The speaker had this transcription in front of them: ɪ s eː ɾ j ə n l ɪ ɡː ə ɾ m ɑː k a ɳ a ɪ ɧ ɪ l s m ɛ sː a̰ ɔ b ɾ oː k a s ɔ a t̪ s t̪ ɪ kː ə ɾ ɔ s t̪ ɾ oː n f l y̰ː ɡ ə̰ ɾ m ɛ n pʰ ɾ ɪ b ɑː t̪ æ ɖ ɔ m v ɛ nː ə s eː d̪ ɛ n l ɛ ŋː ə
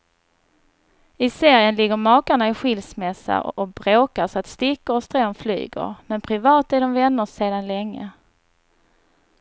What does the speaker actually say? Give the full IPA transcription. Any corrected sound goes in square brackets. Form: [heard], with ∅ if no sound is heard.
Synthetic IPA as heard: ɪ s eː ɾ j ə n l ɪ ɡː ə ɾ m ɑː k a ɳ a ɪ ɧ ɪ l s m ɛ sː a̰ ɔ b ɾ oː k a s ɔ a t̪ s t̪ ɪ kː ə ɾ ɔ s t̪ ɾ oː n f l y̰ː ɡ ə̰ ɾ m ɛ n pʰ ɾ ɪ [v] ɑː t̪ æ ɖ ɔ m v ɛ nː ə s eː d̪ [a] n l ɛ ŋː ə